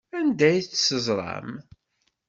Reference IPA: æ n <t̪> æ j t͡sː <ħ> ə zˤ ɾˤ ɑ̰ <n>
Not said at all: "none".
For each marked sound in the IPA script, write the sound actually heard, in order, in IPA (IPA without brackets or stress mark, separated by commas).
d̪, s, m